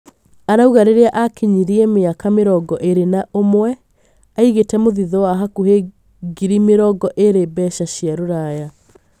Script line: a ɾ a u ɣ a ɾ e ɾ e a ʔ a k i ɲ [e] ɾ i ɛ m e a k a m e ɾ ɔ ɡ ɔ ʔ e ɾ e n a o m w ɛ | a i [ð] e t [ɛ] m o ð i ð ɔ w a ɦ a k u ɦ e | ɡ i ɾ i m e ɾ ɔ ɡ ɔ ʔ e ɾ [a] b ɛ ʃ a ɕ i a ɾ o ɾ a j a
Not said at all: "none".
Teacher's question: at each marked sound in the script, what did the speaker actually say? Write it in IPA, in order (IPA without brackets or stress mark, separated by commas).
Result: i, ɣ, ɛ, e